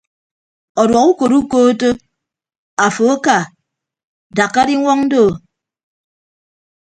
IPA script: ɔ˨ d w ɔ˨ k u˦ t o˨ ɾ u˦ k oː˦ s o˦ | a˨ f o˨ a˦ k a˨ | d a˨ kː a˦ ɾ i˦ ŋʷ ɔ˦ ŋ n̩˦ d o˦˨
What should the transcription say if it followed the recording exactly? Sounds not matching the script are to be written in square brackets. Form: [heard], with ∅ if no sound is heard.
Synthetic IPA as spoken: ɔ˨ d w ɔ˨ k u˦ [k] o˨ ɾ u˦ k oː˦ [t] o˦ | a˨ f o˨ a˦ k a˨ | d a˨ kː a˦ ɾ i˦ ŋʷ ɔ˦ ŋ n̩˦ d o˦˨